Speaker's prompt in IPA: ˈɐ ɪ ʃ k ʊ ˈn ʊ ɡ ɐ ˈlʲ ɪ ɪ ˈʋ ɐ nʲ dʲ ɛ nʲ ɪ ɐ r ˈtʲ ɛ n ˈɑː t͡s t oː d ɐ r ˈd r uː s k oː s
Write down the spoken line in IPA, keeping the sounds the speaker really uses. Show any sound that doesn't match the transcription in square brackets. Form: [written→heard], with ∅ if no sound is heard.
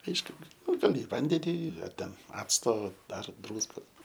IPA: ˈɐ ɪ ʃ k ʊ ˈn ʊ ɡ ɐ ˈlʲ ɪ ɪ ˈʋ ɐ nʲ dʲ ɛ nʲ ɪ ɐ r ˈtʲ ɛ n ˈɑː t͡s t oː d ɐ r ˈd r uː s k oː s